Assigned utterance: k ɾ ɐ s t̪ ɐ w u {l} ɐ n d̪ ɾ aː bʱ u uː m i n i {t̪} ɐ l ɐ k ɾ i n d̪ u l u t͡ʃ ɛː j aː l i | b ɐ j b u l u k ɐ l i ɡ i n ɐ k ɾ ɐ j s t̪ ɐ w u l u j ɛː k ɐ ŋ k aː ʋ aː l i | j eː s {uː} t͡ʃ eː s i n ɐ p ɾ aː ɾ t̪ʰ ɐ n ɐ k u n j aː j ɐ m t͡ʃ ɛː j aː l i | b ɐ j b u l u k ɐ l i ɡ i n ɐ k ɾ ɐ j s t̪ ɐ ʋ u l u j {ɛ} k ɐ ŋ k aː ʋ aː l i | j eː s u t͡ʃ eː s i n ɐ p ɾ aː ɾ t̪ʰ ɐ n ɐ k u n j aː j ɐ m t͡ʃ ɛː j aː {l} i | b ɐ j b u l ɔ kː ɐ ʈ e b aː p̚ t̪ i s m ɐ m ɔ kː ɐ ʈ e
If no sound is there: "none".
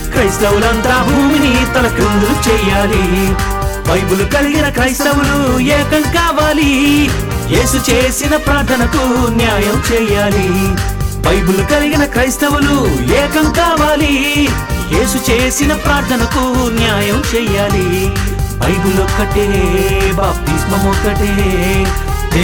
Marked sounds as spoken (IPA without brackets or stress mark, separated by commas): l, t̪, u, ɛː, l